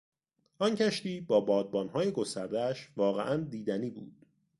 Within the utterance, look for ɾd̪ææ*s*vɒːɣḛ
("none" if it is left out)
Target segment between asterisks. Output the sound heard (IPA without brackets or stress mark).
ʃ